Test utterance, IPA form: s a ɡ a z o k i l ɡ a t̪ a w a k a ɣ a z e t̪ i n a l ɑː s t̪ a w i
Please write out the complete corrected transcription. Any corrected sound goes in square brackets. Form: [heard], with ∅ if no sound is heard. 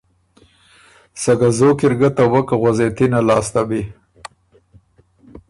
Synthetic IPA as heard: s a ɡ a z o k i [ɾ] ɡ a t̪ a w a k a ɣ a z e t̪ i n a l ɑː s t̪ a [b] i